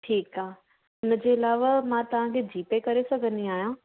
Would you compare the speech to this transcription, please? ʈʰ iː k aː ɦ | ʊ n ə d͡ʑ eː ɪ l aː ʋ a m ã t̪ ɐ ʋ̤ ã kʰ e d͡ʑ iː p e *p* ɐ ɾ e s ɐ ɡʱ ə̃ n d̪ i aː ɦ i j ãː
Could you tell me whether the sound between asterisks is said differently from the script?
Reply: yes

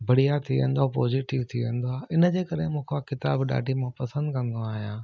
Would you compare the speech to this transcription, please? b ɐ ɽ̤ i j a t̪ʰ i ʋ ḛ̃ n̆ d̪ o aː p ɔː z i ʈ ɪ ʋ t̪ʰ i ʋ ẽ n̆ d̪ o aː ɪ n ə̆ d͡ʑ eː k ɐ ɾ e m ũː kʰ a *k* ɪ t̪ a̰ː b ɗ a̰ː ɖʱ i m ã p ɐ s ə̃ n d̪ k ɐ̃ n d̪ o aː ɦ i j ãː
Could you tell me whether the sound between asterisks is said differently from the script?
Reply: no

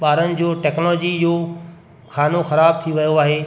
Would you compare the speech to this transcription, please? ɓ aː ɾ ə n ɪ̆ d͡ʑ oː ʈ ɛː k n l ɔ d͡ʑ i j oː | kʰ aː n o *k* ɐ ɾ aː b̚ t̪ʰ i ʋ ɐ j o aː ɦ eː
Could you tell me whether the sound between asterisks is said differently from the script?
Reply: yes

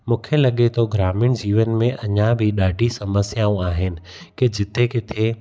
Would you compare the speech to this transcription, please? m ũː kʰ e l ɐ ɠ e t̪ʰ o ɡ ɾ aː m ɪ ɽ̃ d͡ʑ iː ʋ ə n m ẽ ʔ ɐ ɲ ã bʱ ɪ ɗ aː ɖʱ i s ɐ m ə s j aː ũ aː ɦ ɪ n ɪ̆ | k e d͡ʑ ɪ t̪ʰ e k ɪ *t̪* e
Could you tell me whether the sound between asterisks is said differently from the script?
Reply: yes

